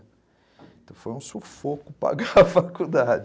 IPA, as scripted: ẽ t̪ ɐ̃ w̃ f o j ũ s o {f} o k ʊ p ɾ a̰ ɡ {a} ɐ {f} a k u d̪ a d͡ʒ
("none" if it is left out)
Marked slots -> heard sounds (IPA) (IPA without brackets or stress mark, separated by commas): f, a, f